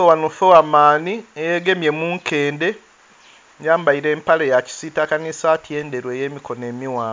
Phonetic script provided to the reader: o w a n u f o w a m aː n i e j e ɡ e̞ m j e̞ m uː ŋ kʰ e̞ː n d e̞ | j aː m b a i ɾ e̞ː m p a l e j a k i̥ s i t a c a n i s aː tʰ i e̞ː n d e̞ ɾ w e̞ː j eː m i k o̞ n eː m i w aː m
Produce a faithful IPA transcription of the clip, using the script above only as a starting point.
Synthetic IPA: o w a n u f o w a m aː n i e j e ɡ e̞ m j e̞ m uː ŋ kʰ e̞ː n d e̞ | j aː m b a i ɾ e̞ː m p a l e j a c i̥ s i t a k a n i s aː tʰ j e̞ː n d e̞ ɾ w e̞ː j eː m i k o̞ n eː m i w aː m